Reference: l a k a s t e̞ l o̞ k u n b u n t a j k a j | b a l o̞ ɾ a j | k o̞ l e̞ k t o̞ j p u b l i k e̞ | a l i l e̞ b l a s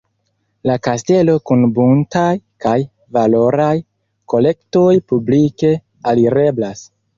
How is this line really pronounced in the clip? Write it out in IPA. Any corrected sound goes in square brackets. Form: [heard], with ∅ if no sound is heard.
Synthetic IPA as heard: l a k a s t e̞ l o̞ k u n b u n t a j k a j | [v] a l o̞ ɾ a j | k o̞ l e̞ k t o̞ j p u b l i k e̞ | a l i [ɾ] e̞ b l a s